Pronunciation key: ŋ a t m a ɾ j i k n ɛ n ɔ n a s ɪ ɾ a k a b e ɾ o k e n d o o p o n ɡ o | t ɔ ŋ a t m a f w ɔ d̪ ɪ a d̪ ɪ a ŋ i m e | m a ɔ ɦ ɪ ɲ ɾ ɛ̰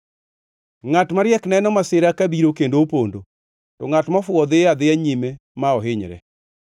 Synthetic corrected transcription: ŋ a t m a ɾ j ɛ k n ɛ n ɔ m a s ɪ ɾ a k a b i ɾ o k e n d o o p o n d o | t ɔ ŋ a t m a f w ɔ d̪ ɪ a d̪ ɪ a ɲ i m e | m a ɔ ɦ ɪ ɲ ɾ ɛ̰